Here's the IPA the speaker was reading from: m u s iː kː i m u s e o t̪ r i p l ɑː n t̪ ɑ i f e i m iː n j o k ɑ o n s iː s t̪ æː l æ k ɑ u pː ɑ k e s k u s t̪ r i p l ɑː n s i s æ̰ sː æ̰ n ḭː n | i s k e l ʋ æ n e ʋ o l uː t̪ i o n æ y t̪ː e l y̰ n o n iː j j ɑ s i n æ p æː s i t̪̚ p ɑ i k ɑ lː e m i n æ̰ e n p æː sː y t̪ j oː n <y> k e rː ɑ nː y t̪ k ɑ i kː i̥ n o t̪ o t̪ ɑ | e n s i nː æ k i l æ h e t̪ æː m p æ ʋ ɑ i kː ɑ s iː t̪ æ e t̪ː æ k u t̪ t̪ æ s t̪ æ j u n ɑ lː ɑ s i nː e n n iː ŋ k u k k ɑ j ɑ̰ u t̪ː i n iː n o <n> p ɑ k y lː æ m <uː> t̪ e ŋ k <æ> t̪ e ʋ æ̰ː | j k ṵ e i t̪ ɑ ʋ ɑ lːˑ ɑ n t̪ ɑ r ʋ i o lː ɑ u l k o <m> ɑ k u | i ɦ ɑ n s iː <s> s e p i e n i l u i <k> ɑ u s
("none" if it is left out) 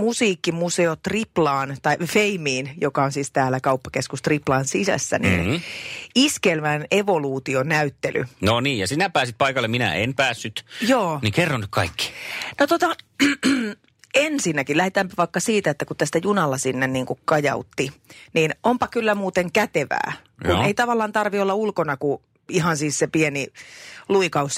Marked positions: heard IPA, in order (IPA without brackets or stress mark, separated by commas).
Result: i, m, uː, æ, n, s, k